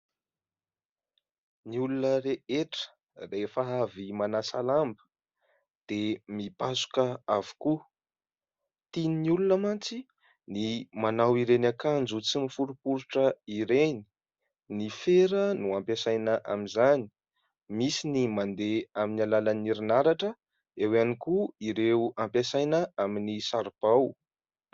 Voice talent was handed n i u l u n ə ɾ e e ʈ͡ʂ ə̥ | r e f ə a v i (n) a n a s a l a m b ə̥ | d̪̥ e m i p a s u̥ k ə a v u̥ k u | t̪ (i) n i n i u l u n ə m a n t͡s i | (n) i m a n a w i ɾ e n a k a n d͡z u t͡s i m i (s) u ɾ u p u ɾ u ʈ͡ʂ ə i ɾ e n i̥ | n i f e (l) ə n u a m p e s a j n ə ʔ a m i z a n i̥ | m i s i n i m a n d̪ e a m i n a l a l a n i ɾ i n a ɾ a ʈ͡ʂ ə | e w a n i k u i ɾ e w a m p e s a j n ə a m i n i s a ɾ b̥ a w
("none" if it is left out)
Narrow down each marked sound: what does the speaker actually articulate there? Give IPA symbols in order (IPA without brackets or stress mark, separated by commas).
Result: m, i, n, f, ɾ